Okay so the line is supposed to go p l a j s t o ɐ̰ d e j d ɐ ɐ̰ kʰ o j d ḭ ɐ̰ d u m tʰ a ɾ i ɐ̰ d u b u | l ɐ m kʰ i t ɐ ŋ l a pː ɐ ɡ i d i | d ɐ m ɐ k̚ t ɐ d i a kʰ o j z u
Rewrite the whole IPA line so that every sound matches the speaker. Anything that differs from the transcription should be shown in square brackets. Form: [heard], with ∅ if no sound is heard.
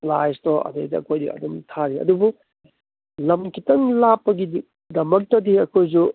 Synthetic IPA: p l a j s t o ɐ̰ d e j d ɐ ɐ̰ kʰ o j d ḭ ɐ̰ d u m tʰ a ɾ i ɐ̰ d u b u | l ɐ m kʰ i t ɐ ŋ l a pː ɐ ɡ i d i | d ɐ m ɐ k̚ t ɐ d i [ɐ] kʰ o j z u